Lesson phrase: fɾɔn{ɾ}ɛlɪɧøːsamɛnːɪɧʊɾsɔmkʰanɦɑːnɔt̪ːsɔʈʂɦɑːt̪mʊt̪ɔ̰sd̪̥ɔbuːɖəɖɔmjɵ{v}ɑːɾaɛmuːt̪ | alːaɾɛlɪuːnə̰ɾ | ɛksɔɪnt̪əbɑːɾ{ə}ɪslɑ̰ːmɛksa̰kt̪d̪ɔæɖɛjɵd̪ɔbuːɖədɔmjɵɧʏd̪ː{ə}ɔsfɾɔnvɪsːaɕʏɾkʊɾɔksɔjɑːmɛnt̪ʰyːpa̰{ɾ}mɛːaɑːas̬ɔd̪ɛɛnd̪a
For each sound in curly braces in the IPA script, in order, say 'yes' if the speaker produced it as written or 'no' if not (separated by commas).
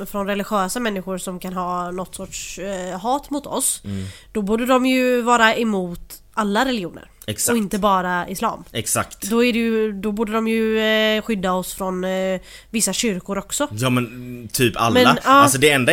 yes, yes, no, no, no